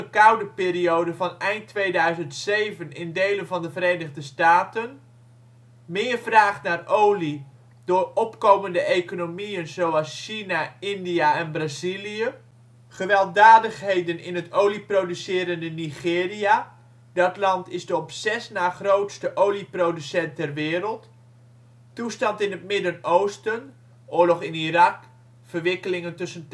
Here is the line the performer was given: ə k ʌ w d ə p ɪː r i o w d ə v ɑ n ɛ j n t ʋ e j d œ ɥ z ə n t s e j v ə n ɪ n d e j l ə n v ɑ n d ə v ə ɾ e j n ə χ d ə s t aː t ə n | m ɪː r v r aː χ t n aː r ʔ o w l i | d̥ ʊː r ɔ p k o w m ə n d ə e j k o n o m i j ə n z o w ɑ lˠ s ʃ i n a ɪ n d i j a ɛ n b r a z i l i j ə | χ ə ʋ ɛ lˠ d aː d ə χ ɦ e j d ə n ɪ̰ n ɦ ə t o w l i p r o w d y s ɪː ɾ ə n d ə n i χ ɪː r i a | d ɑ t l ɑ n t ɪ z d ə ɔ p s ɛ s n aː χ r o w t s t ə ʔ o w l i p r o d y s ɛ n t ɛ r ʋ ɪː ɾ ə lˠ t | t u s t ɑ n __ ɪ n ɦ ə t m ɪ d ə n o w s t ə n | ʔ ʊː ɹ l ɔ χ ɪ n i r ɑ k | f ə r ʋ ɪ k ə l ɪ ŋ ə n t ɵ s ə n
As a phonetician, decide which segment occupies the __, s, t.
t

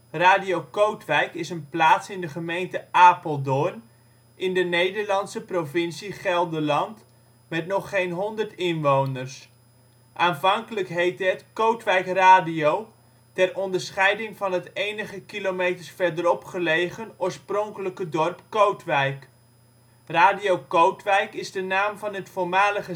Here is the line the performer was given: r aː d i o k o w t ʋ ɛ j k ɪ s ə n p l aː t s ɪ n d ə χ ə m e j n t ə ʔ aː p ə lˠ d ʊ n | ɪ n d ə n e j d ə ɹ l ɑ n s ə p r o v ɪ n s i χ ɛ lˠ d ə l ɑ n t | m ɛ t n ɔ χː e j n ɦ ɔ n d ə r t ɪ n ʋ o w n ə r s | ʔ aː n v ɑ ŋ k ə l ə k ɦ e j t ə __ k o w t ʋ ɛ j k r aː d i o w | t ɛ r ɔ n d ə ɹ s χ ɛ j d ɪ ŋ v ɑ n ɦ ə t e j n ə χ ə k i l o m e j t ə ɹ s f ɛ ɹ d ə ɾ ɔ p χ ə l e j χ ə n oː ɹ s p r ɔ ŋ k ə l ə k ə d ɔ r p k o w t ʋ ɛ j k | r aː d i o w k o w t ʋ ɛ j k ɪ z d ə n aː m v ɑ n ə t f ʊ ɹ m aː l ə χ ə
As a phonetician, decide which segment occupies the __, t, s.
t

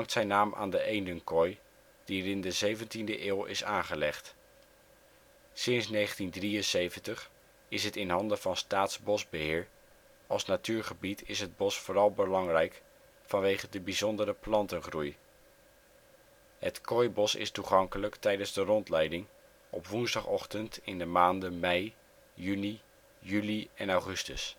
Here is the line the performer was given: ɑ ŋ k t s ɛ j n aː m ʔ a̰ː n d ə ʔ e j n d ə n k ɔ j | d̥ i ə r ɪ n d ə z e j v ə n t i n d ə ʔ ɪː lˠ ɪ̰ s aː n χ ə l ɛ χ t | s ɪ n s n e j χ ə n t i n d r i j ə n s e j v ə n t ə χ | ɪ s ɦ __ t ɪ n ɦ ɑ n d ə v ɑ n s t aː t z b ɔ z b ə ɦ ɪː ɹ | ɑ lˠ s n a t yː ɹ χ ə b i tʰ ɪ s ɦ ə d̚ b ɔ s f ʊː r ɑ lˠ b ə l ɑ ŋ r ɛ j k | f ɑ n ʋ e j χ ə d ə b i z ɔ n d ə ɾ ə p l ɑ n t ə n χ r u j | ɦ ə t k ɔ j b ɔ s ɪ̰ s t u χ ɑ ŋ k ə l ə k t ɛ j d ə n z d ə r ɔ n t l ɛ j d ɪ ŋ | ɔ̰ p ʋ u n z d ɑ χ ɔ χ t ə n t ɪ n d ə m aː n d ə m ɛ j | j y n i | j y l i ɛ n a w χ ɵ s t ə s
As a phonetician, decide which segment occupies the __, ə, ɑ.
ə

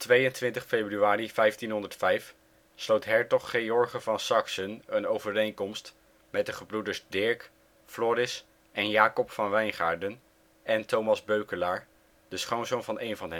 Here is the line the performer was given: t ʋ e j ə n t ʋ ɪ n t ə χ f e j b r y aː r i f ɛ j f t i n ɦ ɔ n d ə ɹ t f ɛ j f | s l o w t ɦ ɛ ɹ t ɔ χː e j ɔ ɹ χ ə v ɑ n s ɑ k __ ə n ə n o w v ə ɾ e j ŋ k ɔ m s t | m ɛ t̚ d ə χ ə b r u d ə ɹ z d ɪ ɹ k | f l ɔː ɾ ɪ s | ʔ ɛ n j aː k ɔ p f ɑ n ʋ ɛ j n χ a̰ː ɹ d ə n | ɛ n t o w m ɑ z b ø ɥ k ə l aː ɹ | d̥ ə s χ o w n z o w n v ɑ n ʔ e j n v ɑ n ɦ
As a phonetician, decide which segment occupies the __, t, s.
s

